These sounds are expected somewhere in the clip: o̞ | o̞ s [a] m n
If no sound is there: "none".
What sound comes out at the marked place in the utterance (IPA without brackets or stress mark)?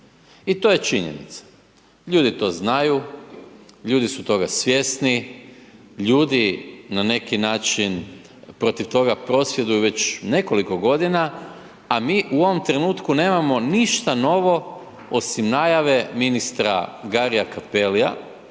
i